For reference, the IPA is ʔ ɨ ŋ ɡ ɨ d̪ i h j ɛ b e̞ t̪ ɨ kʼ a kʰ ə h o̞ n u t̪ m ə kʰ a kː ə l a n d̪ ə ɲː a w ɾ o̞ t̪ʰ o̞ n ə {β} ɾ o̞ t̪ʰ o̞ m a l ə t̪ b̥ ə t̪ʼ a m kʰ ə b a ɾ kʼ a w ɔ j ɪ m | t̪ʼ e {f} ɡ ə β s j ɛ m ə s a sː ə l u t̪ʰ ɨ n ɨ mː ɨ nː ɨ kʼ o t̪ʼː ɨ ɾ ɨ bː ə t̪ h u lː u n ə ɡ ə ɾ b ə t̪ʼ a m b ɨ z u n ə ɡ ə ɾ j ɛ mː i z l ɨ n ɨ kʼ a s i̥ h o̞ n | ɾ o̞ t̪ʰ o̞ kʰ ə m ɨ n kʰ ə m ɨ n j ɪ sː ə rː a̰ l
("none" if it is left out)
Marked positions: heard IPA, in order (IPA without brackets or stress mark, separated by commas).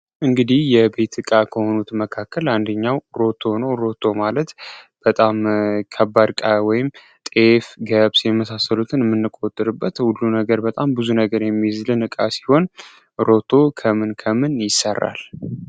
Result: w, f